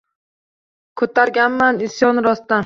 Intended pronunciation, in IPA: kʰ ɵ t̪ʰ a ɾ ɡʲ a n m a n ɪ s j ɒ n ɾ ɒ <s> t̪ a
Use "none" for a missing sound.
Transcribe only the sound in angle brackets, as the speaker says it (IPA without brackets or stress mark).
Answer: s